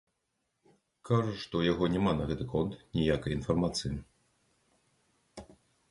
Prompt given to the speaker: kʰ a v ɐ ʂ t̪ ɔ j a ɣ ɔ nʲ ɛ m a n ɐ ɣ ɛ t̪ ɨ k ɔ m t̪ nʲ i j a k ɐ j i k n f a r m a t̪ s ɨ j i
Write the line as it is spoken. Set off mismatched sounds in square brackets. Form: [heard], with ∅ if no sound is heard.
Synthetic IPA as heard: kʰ a [ʐ] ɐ ʂ t̪ ɔ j a ɣ ɔ nʲ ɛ m a n ɐ ɣ ɛ t̪ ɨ k ɔ [n] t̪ nʲ i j a k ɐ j i [∅] n f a r m a t̪ s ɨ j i